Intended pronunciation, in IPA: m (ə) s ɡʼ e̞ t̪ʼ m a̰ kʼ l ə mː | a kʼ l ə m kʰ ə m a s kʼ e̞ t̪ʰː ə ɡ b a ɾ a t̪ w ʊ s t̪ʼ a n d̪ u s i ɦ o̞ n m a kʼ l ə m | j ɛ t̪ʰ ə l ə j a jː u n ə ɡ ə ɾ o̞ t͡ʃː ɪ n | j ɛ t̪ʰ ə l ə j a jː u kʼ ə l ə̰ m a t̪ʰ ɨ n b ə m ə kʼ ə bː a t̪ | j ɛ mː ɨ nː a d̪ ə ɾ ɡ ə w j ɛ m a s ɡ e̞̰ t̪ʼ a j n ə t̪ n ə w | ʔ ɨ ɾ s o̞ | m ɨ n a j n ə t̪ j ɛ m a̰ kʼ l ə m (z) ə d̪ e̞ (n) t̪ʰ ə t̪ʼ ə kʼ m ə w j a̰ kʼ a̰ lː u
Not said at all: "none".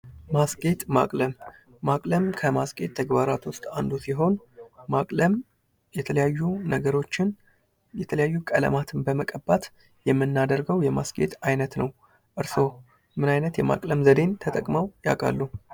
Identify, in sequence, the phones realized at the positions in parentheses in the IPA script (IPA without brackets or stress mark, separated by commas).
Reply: a, z, n